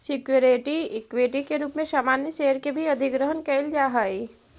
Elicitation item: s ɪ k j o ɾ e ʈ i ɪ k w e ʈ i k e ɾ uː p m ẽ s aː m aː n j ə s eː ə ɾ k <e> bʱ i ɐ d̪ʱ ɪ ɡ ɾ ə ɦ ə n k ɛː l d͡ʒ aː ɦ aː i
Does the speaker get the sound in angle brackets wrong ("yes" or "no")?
no